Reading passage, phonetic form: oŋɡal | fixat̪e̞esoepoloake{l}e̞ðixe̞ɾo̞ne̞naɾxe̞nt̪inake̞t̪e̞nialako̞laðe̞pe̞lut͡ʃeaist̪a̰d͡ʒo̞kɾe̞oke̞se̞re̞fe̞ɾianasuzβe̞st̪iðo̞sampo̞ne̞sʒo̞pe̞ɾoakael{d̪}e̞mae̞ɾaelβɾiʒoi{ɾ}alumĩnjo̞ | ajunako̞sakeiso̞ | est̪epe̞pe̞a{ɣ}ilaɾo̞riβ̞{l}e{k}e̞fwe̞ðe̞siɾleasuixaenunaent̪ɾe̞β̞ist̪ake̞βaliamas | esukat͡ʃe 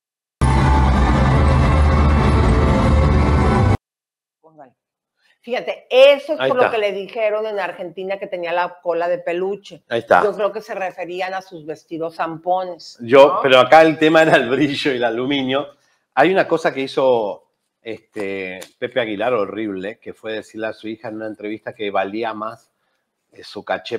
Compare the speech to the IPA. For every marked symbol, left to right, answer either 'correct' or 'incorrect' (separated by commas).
correct, incorrect, incorrect, correct, correct, correct